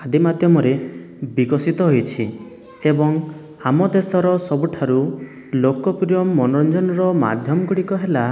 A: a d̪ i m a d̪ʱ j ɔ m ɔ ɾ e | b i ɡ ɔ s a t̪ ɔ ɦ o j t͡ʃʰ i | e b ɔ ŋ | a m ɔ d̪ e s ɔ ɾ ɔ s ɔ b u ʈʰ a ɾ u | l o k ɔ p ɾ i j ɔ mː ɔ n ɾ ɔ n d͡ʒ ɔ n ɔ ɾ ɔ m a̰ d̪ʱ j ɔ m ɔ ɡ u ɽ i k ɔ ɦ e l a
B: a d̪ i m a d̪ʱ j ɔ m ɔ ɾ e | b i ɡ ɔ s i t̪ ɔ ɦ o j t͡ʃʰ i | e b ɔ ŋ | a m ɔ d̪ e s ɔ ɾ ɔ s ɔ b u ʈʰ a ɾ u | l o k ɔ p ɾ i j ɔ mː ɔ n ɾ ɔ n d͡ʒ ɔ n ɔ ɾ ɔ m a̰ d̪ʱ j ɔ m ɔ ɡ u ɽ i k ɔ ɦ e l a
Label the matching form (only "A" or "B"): B